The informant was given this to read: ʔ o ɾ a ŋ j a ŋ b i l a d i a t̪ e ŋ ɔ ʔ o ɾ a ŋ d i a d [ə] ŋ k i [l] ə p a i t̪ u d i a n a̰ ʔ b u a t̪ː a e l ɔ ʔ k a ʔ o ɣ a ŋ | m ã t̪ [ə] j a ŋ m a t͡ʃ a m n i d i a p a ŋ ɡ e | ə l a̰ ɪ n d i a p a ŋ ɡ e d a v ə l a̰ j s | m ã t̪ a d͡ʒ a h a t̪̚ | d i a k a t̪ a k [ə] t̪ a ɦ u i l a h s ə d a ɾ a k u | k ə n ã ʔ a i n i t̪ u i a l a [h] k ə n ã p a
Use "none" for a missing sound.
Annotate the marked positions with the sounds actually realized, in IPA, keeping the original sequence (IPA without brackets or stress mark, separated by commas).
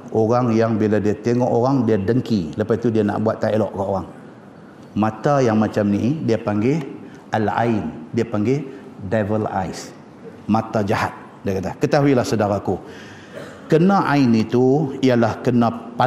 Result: ə, l, a, ə, h